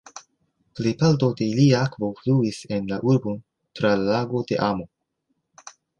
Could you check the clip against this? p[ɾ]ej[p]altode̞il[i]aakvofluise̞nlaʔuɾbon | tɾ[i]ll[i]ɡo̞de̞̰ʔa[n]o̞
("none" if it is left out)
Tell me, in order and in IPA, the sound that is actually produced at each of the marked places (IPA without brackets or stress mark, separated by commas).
l, p, i, a, a, m